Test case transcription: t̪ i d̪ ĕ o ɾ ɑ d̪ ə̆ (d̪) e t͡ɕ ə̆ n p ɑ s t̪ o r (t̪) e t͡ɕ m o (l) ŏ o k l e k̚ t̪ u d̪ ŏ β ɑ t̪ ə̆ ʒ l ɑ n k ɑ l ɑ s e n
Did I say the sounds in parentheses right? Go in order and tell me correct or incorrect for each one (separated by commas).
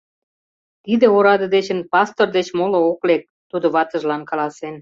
correct, incorrect, correct